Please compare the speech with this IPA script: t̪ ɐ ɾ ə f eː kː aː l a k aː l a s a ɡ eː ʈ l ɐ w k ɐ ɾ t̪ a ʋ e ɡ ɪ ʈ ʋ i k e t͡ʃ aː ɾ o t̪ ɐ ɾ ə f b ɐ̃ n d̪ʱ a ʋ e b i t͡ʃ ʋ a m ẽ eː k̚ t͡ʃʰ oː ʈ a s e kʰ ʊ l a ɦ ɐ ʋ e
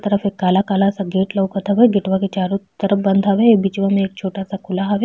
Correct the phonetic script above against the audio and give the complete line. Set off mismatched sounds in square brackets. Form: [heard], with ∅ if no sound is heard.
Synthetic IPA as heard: t̪ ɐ ɾ ə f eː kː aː l a k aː l a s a ɡ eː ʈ l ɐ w k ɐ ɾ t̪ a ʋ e ɡ ɪ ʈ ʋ [a] k e t͡ʃ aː ɾ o t̪ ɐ ɾ ə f b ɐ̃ n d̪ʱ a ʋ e b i t͡ʃ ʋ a m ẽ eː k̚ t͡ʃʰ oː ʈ a s [a] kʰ ʊ l a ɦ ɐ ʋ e